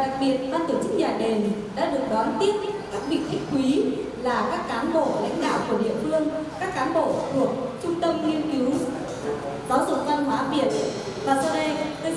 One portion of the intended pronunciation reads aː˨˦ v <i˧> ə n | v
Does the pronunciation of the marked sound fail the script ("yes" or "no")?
yes